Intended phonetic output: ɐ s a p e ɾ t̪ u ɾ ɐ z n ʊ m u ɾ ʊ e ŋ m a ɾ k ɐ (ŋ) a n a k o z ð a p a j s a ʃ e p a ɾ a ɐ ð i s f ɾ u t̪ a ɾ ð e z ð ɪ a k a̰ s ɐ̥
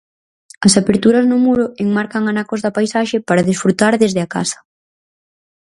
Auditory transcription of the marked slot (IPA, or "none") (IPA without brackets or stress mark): ŋ